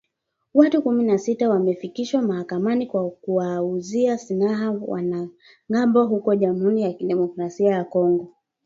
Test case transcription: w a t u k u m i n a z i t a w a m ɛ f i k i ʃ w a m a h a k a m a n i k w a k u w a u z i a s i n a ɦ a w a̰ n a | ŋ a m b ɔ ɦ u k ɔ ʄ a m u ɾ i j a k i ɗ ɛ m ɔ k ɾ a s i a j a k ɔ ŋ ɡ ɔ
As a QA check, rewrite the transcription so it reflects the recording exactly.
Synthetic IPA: w a t u k u m i n a s i t a w a m ɛ f i k i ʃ w a m a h a k a m a n i k w a k u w a u z i a s i n a ɦ a w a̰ n a | ŋ a m b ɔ ɦ u k ɔ ʄ a m u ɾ i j a k i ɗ ɛ m ɔ k ɾ a s i a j a k ɔ ŋ ɡ ɔ